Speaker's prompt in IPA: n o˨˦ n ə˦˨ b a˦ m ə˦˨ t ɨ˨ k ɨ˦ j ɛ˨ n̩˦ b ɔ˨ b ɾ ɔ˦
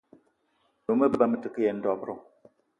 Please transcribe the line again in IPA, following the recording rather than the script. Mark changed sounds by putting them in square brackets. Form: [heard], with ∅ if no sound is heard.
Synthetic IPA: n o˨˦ [m] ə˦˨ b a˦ m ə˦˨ t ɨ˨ k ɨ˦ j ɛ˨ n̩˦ [d] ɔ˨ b ɾ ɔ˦